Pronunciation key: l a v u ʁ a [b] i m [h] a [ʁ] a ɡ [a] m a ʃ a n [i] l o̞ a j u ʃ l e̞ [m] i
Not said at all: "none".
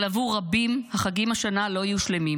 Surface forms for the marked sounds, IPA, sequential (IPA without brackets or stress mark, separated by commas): b, h, χ, i, a, m